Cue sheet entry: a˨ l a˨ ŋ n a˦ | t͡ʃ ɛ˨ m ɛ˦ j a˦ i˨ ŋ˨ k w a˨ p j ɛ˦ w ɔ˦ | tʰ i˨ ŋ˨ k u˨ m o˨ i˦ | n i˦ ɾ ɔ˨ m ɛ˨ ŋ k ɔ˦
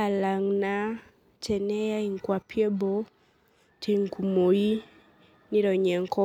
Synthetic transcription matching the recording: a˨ l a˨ ŋ n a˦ | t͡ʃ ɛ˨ n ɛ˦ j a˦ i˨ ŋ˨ k w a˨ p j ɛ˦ b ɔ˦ | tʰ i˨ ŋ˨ k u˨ m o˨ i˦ | n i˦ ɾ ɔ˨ ɲ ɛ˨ ŋ k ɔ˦